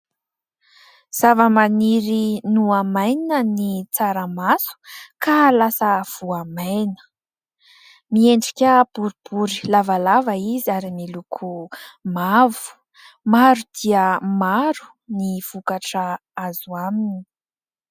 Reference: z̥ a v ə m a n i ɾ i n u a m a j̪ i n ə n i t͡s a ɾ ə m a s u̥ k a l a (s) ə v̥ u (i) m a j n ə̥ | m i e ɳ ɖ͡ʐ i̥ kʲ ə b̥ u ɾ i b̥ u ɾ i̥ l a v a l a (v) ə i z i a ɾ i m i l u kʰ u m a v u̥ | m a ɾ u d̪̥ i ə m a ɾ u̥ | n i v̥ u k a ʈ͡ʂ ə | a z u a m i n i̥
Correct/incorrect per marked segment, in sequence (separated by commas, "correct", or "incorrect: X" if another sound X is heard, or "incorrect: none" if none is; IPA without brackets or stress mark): correct, incorrect: a, correct